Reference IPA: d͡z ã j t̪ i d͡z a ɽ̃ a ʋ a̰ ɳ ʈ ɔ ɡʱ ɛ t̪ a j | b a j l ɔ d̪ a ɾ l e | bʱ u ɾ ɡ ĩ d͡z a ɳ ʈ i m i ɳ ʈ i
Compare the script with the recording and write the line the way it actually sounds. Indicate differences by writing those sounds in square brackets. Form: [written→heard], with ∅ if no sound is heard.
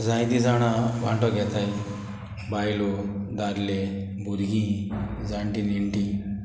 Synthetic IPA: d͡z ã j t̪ i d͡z a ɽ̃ a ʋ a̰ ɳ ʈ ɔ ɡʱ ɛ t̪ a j | b a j l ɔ d̪ a ɾ l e | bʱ u ɾ ɡ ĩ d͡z a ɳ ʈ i [m→n] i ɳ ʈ i